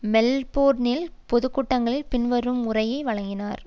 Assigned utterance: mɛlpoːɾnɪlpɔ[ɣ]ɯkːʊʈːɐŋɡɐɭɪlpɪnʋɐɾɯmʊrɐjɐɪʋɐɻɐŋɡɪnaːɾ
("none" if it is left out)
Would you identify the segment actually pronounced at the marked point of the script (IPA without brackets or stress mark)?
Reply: ð